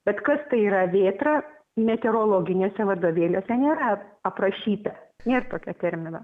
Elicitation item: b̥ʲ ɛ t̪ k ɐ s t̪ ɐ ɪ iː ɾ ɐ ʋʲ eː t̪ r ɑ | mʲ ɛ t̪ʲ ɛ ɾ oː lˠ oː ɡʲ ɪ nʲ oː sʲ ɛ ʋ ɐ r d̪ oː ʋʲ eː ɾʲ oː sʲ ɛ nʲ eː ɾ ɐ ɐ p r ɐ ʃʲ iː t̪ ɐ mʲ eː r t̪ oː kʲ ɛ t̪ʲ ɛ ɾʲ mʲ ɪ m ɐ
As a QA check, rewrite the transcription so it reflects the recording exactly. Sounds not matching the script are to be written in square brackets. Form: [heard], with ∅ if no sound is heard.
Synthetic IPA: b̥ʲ ɛ t̪ k ɐ s t̪ ɐ ɪ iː ɾ ɐ ʋʲ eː t̪ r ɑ | mʲ ɛ t̪ʲ ɛ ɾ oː lˠ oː ɡʲ ɪ nʲ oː sʲ ɛ ʋ ɐ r d̪ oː ʋʲ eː [lʲ] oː sʲ ɛ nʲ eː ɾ ɐ ɐ p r ɐ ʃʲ iː t̪ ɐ [nʲ] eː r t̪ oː kʲ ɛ t̪ʲ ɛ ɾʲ mʲ ɪ [n] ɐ